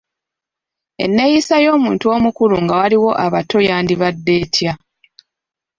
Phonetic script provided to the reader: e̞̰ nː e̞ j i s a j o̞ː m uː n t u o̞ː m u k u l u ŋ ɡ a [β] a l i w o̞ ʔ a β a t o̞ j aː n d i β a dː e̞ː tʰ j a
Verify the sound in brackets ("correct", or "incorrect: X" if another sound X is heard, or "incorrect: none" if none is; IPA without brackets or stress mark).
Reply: incorrect: w